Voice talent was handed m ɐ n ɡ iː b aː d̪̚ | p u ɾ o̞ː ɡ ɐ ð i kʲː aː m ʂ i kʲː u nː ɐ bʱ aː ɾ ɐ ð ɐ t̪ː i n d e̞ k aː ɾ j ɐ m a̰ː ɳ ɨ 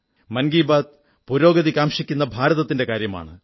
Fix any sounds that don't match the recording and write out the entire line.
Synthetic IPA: m ɐ n ɡ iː b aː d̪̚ | p u ɾ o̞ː ɡ ɐ ð i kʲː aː m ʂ i kʲː u nː ɐ bʱ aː ɾ ɐ ð ɐ t̪ː i n d e̞ k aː ɾ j ɐ m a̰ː ɳ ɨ

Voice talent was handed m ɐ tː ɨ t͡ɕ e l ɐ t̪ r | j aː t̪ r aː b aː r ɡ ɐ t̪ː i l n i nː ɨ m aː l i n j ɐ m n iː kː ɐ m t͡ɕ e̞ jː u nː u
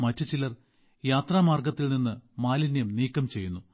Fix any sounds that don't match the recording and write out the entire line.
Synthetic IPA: m ɐ tː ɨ t͡ɕ i l ɐ r | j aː t̪ r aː m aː r ɡ ɐ t̪ː i l n i nː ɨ m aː l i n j ɐ m n iː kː ɐ m t͡ɕ e̞ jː u nː u

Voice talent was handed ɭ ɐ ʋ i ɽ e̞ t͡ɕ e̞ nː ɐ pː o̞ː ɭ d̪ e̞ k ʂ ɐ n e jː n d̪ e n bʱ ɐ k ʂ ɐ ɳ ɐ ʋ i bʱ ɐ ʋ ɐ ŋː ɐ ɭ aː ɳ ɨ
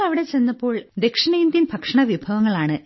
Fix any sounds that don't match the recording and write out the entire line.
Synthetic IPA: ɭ ɐ ʋ i ɽ e̞ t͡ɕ e̞ nː ɐ pː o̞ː ɭ d̪ e̞ k ʂ ɐ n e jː n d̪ i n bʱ ɐ k ʂ ɐ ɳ ɐ ʋ i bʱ ɐ ʋ ɐ ŋː ɐ ɭ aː ɳ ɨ

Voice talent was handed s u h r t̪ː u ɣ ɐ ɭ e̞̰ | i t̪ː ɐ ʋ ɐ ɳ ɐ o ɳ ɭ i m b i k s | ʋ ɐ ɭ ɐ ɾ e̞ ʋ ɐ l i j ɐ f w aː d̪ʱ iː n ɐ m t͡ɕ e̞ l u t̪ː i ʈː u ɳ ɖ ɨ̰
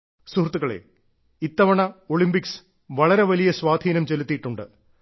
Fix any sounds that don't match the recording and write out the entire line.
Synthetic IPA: s u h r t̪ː u ɣ ɐ ɭ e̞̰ | i t̪ː ɐ ʋ ɐ ɳ ɐ o ɭ i m b i k s | ʋ ɐ ɭ ɐ ɾ e̞ ʋ ɐ l i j ɐ s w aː d̪ʱ iː n ɐ m t͡ɕ e̞ l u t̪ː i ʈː u ɳ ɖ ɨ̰

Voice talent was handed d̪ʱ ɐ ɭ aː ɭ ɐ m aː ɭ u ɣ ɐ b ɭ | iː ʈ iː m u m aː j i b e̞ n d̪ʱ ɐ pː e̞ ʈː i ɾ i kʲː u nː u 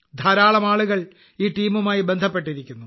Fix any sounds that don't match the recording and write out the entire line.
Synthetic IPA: d̪ʱ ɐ ɾ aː ɭ ɐ m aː ɭ u ɣ ɐ ɭ | iː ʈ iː m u m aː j i b e̞ n d̪ʱ ɐ pː e̞ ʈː i ɾ i kʲː u nː u

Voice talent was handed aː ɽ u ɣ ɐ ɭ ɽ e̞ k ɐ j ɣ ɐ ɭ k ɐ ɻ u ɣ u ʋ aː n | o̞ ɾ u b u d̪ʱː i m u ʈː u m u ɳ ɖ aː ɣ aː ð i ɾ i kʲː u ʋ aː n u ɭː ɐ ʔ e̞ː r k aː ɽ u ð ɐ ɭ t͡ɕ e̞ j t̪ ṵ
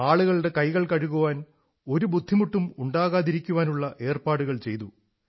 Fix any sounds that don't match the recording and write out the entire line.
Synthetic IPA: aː ɭ u ɣ ɐ ɭ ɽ e̞ k ɐ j ɣ ɐ ɭ k ɐ ɻ u ɣ u ʋ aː n | o̞ ɾ u b u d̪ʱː i m u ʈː u m u ɳ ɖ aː ɣ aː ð i ɾ i kʲː u ʋ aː n u ɭː ɐ ʔ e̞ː r p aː ɽ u ɣ ɐ ɭ t͡ɕ e̞ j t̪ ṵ

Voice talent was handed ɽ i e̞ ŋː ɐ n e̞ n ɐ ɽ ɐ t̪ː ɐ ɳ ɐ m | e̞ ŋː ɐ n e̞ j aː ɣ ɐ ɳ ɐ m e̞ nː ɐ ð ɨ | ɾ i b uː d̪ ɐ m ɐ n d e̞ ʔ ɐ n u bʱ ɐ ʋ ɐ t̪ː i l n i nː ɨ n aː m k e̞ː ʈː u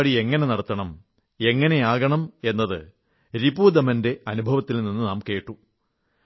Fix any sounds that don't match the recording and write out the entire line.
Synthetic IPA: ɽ i e̞ ŋː ɐ n e̞ n ɐ ɽ ɐ t̪ː ɐ ɳ ɐ m | e̞ ŋː ɐ n e̞ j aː ɣ ɐ ɳ ɐ m e̞ nː ɐ ð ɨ | ɾ i b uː d̪ ɐ m ɐ n d e̞ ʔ ɐ n u bʱ ɐ ʋ ɐ t̪ː i l n i nː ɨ n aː m k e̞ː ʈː u

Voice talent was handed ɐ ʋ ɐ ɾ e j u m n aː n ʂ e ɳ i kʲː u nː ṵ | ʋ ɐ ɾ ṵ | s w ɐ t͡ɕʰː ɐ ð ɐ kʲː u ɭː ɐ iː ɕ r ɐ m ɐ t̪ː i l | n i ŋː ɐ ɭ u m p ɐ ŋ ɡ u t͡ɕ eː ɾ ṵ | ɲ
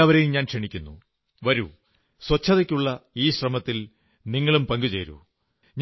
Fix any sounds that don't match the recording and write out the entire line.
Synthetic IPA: ɐ ʋ ɐ ɾ e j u m ɲ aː n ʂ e ɳ i kʲː u nː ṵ | ʋ ɐ ɾ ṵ | s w ɐ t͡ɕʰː ɐ ð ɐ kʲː u ɭː ɐ iː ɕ r ɐ m ɐ t̪ː i l | n i ŋː ɐ ɭ u m p ɐ ŋ ɡ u t͡ɕ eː ɾ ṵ | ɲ

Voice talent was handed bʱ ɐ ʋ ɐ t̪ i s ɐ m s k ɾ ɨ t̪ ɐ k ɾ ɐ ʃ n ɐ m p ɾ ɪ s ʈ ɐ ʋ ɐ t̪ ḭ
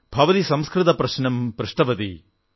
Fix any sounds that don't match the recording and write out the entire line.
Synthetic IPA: bʱ ɐ ʋ ɐ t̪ i s ɐ m s k ɾ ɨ t̪ ɐ p ɾ ɐ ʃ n ɐ m p ɾ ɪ ʂ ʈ ɐ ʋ ɐ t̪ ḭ

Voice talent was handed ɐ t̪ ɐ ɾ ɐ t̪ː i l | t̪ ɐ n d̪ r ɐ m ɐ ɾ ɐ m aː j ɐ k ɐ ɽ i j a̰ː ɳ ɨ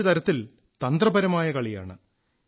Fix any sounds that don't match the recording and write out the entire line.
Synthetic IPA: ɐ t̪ ɐ ɾ ɐ t̪ː i l | t̪ ɐ n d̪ r ɐ b ɐ ɾ ɐ m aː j ɐ k ɐ ɭ i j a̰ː ɳ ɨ

